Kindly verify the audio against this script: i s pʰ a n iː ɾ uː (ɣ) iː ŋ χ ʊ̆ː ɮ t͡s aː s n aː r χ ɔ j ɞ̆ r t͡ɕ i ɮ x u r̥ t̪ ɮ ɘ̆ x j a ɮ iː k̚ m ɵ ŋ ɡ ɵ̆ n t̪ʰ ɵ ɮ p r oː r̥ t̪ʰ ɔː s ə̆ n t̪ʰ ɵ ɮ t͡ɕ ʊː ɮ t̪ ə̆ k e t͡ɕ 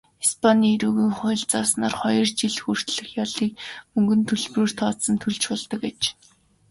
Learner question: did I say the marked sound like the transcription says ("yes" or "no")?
yes